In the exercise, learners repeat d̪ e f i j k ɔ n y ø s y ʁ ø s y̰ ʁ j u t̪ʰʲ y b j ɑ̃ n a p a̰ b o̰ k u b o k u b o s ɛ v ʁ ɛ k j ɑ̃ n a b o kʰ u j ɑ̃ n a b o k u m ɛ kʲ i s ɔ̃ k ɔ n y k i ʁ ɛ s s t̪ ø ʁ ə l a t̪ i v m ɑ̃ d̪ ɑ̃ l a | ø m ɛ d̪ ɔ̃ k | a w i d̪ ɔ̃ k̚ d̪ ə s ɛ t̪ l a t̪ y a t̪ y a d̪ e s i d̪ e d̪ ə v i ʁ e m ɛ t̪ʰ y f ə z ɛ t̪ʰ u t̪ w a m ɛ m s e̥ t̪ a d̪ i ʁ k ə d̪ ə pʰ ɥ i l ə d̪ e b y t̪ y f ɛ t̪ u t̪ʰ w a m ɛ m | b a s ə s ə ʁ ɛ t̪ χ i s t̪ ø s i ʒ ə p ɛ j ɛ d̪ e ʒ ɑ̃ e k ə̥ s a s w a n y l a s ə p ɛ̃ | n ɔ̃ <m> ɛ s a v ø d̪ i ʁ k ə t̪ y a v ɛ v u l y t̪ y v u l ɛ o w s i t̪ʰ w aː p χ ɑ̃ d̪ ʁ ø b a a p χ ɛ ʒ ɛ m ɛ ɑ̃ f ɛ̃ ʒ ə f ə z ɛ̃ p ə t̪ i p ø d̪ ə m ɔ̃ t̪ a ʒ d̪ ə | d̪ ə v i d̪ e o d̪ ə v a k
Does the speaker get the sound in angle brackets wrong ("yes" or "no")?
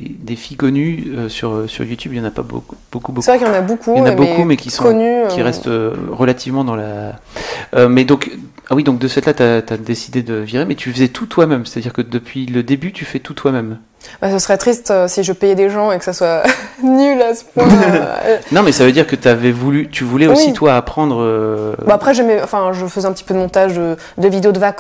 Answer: no